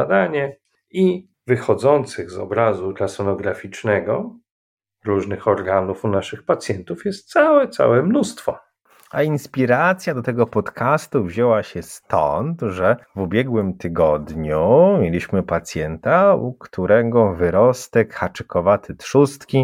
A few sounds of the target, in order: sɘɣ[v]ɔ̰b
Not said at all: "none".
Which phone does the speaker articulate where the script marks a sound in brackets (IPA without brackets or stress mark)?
z